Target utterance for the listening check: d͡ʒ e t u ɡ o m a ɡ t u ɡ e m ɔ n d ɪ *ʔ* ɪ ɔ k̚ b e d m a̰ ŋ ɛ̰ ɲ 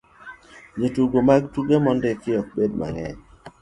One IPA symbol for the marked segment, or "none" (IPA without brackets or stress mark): k